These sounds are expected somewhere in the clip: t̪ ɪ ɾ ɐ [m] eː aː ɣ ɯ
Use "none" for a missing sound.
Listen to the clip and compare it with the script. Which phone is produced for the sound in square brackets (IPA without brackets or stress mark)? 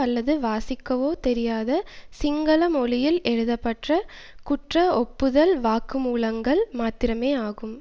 m